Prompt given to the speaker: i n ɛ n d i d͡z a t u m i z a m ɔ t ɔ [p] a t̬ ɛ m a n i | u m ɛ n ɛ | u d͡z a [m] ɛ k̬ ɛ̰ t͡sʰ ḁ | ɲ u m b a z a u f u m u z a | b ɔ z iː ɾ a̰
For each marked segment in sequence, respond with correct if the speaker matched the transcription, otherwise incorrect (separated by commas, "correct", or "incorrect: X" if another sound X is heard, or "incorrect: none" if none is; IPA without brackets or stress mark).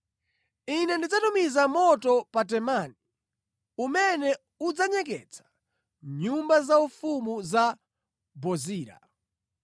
correct, incorrect: ɲ